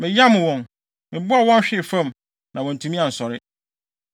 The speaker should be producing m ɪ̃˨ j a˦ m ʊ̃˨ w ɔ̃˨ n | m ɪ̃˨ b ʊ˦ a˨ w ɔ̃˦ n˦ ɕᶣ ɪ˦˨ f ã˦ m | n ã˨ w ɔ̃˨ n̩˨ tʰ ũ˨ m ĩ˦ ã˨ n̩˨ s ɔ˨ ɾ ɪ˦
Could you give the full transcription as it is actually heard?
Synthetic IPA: m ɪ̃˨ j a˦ m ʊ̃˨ w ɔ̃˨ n | m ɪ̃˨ b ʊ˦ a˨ w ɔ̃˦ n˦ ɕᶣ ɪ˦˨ f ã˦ m | n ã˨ w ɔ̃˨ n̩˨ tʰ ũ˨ m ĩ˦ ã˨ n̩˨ s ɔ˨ ɾ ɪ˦